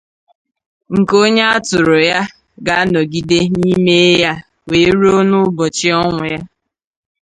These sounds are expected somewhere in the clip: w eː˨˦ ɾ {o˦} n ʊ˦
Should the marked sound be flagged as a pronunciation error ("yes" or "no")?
no